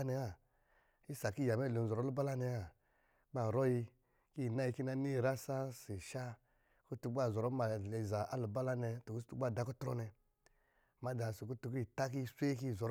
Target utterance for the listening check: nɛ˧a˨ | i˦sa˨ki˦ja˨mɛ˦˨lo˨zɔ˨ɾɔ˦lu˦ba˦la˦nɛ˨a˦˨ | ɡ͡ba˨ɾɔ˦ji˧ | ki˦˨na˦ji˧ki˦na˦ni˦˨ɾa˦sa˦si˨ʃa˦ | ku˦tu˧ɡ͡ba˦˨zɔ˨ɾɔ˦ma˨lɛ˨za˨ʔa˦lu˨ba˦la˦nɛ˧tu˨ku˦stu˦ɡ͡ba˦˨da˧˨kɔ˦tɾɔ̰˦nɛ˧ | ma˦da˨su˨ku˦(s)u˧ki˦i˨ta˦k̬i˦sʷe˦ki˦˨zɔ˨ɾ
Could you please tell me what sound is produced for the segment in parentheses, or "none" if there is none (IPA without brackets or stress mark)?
t